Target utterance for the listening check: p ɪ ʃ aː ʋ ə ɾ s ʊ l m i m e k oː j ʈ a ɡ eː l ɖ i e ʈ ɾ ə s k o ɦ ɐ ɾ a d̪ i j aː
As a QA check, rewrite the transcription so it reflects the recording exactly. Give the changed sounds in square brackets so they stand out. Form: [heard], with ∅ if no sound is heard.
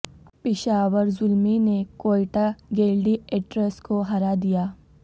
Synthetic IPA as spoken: p ɪ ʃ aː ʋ ə ɾ [z] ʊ l m i [n] e k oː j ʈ a ɡ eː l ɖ i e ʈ ɾ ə s k o ɦ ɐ ɾ a d̪ i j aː

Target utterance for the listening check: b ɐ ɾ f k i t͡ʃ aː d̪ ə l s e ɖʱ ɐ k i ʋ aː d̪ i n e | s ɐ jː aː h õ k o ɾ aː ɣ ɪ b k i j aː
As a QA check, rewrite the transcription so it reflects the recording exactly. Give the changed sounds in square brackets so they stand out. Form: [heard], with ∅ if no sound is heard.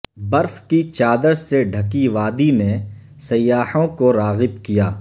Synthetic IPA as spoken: b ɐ ɾ f k i t͡ʃ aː d̪ ə [ɾ] s e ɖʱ ɐ k i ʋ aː d̪ i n e | s ɐ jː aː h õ k o ɾ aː ɣ ɪ b k i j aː

